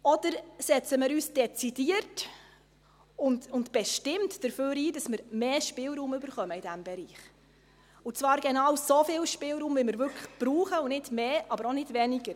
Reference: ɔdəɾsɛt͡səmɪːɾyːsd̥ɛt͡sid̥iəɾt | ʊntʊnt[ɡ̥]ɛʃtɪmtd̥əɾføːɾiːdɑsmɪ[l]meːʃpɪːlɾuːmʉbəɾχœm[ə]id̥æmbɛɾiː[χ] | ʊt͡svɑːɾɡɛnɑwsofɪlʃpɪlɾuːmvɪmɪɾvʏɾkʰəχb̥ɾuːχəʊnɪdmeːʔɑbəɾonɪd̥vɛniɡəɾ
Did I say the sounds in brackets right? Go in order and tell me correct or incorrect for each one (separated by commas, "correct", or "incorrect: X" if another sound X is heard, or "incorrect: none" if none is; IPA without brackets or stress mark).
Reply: incorrect: b̥, incorrect: ɾ, correct, correct